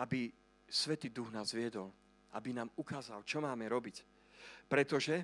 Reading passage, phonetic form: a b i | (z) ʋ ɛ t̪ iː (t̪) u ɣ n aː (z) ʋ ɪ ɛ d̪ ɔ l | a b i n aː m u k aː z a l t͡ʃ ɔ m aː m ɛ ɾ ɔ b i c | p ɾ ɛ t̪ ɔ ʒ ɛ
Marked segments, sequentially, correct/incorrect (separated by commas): incorrect, incorrect, correct